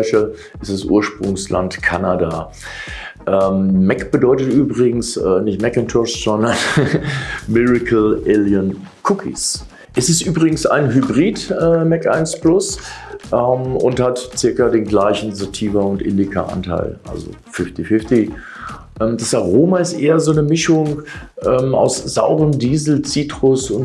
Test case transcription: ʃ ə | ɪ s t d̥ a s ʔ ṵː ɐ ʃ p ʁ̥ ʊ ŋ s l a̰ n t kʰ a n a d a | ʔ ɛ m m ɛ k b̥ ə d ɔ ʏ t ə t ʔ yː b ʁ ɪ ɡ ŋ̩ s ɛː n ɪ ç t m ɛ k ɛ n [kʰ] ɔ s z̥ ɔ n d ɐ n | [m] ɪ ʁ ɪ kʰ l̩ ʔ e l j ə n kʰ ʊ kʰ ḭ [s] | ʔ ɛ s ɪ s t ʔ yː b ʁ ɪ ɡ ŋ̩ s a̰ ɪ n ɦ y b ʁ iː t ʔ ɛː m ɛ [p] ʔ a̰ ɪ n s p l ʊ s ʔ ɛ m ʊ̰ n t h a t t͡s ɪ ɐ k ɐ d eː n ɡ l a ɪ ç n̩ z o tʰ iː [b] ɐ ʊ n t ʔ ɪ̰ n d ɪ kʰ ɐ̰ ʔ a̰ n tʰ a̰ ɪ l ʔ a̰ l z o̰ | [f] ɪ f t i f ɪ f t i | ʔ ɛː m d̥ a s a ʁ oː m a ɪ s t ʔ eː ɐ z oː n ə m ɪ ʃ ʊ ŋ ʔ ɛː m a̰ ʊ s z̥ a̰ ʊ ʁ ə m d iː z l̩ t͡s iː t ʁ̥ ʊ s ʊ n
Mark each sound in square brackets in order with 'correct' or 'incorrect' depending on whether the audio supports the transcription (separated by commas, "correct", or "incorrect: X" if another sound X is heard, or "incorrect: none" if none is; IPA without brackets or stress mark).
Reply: incorrect: tʰ, correct, correct, incorrect: k, incorrect: v, correct